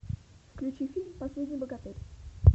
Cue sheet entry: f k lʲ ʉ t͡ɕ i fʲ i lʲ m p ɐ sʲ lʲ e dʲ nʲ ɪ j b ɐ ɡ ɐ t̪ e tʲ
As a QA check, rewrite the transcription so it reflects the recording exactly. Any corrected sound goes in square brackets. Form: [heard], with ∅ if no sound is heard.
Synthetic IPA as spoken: f k lʲ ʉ t͡ɕ i fʲ i lʲ m p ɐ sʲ lʲ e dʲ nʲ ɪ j b [ə] ɡ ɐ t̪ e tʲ